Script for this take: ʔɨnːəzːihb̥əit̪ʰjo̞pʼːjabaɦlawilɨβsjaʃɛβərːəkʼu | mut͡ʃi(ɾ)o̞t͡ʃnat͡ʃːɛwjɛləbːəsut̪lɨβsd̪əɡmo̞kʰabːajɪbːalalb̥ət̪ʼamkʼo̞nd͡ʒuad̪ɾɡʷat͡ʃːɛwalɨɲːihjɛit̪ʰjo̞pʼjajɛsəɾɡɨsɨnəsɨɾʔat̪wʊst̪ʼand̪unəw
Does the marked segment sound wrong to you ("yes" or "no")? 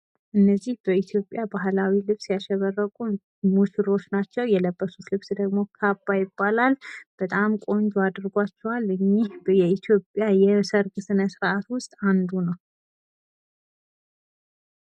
no